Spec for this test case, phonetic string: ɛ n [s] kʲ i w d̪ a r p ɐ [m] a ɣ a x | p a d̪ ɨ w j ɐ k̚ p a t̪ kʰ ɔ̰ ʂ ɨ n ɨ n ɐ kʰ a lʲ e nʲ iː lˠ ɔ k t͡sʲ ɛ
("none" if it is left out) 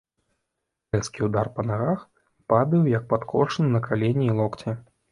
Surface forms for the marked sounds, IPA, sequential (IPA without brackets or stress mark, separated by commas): s, n